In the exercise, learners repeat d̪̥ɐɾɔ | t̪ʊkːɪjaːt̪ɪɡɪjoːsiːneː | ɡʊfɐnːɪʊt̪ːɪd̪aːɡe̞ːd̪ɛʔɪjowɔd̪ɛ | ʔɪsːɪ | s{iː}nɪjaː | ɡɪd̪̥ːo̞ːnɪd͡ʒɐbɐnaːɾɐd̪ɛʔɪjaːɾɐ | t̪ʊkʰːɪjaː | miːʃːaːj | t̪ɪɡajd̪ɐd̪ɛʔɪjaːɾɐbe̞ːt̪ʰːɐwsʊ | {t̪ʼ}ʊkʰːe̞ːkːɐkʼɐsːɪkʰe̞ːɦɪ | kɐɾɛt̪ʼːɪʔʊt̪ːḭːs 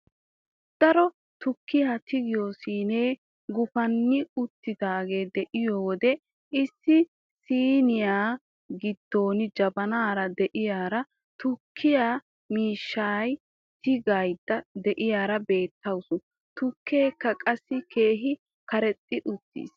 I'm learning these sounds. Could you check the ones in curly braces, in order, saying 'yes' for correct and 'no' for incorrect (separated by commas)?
yes, no